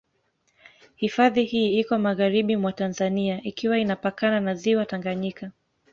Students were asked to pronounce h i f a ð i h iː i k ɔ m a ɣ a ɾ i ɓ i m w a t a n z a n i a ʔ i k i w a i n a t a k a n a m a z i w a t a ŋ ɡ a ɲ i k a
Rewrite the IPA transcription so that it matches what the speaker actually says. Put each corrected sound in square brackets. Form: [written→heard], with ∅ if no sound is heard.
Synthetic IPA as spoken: h i f a ð i h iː i k ɔ m a ɣ a ɾ i ɓ i m w a t a n z a n i a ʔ i k i w a i n a [t→p] a k a n a [m→n] a z i w a t a ŋ ɡ a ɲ i k a